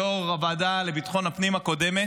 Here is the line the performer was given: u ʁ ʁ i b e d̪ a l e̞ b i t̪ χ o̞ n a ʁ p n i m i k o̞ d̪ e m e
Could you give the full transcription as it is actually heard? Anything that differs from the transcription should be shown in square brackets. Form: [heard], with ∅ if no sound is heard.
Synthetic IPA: [o] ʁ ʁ [a] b [a] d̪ a l e̞ b i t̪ χ o̞ n a [∅] p n i m [a] k o̞ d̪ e m e